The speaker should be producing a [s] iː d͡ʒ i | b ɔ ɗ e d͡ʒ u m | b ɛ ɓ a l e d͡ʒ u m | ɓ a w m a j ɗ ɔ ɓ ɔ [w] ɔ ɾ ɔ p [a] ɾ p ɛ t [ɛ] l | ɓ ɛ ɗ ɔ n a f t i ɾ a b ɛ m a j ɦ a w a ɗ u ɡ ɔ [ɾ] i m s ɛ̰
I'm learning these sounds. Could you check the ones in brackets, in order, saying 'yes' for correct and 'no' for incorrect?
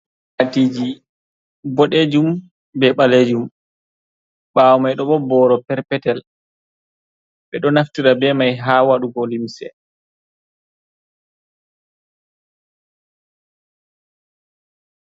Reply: no, no, no, yes, no

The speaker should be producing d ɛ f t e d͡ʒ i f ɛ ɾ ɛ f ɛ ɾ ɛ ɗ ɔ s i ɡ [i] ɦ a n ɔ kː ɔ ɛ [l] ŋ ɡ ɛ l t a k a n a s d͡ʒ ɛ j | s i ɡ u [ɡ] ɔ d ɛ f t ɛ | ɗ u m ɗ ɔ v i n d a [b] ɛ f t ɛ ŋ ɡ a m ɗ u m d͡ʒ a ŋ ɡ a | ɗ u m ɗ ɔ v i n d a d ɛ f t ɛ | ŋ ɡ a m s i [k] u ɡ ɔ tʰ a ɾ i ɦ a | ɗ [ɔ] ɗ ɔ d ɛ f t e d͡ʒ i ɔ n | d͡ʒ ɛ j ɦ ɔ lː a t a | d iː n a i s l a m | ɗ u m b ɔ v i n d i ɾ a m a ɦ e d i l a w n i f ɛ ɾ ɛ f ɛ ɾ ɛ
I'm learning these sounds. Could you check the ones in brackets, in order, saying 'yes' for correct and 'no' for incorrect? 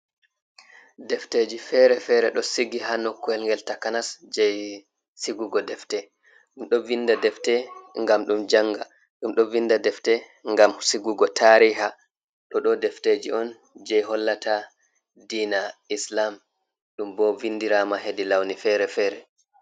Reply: yes, yes, yes, no, no, yes

